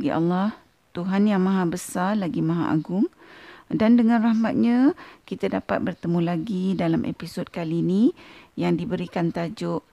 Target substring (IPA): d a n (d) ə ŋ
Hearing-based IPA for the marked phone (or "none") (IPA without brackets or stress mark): d